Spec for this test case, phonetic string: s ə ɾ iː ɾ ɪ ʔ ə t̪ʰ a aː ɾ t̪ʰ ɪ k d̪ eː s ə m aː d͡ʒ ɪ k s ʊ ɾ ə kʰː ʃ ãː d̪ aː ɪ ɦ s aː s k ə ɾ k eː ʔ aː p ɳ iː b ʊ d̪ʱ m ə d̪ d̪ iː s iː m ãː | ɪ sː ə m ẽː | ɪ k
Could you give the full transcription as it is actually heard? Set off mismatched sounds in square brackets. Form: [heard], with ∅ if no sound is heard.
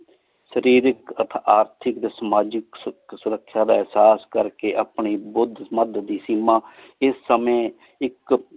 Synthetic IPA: s ə ɾ iː ɾ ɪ [k] ə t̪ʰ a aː ɾ t̪ʰ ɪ k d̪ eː s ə m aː d͡ʒ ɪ k s ʊ ɾ ə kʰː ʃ [aː] d̪ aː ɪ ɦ s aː s k ə ɾ k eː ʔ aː p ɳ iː b ʊ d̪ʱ m ə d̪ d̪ iː s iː m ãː | ɪ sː ə m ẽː | ɪ k

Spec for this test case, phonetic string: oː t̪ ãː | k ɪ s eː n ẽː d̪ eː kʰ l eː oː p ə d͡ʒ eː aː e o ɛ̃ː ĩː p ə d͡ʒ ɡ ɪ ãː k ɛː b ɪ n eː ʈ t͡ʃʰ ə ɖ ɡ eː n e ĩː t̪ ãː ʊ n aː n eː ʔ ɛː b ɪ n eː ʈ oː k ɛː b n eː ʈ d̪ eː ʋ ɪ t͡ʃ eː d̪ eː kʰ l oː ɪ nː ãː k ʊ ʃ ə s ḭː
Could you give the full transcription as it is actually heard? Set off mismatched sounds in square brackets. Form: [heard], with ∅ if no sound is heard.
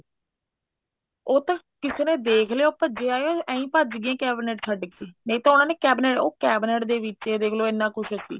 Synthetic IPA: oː t̪ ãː | k ɪ s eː n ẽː d̪ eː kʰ l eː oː p ə d͡ʒ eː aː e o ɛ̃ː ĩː p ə d͡ʒ ɡ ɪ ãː k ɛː b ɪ n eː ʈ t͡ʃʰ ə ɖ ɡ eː n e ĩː t̪ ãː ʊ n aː n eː [k] ɛː b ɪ n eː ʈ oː k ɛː b n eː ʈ d̪ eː ʋ ɪ t͡ʃ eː d̪ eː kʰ l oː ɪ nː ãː k ʊ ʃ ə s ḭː

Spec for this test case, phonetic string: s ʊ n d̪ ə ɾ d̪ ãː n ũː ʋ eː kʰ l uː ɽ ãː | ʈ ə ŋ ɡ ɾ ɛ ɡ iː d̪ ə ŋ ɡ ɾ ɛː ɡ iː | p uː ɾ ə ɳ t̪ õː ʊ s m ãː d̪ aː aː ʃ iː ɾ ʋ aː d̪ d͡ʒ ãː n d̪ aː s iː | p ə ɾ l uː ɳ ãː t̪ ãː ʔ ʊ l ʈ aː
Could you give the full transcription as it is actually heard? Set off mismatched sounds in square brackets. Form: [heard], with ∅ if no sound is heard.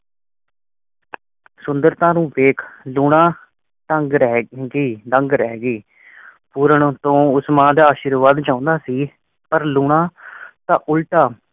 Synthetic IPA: s ʊ n d̪ ə ɾ [t̪] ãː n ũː ʋ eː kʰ l uː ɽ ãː | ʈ ə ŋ ɡ ɾ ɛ ɡ iː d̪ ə ŋ ɡ ɾ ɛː ɡ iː | p uː ɾ ə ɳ t̪ õː ʊ s m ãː d̪ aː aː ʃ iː ɾ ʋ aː d̪ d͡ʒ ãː n d̪ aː s iː | p ə ɾ l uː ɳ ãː t̪ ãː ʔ ʊ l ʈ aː

